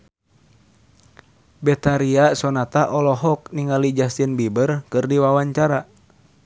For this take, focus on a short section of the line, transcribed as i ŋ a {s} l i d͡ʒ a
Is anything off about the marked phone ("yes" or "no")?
yes